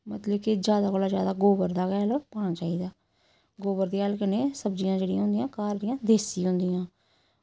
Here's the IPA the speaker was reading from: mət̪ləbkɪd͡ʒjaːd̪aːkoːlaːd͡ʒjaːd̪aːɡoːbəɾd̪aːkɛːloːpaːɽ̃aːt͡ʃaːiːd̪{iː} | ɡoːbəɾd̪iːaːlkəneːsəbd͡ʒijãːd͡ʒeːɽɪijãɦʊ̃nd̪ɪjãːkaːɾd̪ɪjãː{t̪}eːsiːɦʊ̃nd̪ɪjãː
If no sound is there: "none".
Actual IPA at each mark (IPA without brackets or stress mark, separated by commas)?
aː, d̪